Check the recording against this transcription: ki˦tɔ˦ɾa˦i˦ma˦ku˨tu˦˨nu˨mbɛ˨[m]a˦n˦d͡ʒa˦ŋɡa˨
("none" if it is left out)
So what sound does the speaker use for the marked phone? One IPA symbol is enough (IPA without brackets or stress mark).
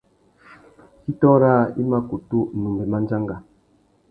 m